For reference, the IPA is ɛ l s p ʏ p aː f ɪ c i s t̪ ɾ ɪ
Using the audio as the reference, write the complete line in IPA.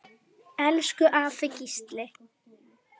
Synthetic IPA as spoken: ɛ l s k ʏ ʔ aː f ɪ c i s t̪ l ɪ